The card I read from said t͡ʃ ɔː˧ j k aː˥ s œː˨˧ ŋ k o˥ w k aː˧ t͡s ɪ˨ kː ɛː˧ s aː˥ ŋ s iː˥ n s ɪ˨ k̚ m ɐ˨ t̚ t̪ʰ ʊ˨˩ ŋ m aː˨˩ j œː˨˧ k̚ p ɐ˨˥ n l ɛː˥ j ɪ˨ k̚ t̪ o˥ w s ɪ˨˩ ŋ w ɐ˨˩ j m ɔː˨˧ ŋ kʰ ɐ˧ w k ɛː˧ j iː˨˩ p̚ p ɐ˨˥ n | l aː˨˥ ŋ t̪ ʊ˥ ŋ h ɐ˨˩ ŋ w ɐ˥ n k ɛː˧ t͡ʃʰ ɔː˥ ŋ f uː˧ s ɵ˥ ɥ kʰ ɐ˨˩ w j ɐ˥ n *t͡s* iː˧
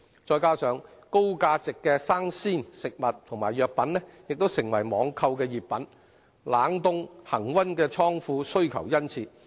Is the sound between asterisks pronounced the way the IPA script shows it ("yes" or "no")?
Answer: no